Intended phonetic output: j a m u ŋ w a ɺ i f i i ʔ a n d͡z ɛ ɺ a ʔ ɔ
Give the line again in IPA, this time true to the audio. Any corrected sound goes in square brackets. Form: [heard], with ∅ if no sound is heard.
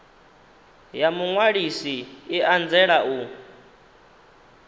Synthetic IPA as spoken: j a m u ŋ w a ɺ i [s] i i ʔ a n d͡z ɛ ɺ a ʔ [u]

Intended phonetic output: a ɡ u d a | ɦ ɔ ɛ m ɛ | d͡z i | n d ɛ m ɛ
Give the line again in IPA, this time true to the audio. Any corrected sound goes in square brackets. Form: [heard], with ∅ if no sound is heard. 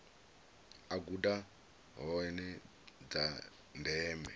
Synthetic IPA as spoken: a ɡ u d a | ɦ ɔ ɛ [n] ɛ | d͡z [a] | n d [ɛː] m ɛ

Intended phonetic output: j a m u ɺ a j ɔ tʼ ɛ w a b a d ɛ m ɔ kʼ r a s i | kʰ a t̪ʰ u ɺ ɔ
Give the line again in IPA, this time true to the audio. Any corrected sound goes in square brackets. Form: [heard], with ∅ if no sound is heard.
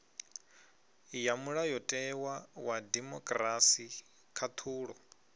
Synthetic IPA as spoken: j a m u ɺ a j ɔ tʼ ɛ w a [w] a d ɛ m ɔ kʼ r a s i | kʰ a t̪ʰ [uː] ɺ ɔ

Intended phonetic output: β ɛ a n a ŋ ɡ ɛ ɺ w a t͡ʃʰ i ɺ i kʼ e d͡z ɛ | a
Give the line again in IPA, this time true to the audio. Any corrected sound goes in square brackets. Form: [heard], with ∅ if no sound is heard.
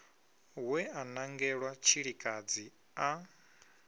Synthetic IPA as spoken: [w] ɛ a n a ŋ ɡ ɛ ɺ w a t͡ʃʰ i ɺ i kʼ [a] d͡z [i] | a

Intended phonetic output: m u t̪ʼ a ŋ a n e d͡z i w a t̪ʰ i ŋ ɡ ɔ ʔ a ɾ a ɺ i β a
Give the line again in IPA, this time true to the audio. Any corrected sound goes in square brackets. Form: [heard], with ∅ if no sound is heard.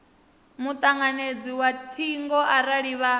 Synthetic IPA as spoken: m u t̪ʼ a ŋ a n e d͡z i w a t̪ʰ i ŋ ɡ ɔ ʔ a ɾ a ɺ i β a

